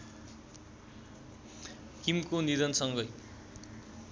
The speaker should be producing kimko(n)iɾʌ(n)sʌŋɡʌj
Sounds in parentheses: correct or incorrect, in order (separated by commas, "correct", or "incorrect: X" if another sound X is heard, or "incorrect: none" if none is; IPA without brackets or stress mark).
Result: correct, correct